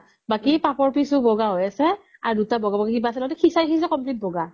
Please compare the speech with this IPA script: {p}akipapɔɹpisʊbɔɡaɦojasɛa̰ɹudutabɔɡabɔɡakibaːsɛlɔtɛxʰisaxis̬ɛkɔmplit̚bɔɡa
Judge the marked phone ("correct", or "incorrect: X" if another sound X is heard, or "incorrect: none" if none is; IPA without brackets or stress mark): incorrect: b